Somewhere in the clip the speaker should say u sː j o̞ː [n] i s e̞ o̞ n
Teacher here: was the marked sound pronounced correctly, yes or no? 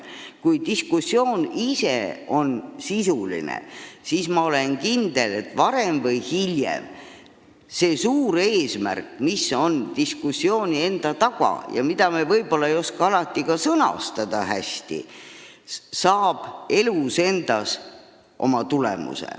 yes